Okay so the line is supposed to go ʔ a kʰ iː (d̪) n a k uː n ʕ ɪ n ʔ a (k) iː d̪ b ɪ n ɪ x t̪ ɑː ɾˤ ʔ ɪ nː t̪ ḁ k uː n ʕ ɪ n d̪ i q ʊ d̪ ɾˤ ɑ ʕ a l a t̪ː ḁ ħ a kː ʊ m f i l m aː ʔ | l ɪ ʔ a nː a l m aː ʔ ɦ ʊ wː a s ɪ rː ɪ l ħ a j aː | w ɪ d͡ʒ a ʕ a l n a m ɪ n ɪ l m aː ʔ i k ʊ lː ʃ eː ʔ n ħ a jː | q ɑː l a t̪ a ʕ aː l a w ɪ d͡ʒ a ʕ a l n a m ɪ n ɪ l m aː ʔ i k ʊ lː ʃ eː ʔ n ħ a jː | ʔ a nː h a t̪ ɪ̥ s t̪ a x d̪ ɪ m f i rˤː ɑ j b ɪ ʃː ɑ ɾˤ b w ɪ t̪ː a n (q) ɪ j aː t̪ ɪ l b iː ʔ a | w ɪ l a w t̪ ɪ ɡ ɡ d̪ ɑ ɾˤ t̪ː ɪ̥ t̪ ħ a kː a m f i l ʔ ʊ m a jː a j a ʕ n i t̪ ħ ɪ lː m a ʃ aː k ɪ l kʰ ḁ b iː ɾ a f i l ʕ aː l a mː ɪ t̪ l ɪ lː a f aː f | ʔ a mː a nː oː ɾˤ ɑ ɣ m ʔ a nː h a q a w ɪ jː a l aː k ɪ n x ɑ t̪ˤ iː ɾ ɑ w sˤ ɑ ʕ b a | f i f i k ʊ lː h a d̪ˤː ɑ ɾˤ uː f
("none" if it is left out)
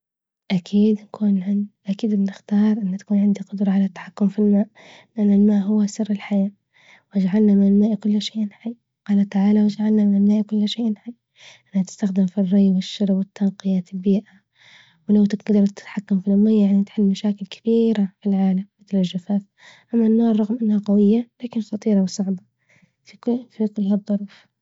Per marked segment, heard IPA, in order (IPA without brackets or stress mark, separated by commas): d̪, k, q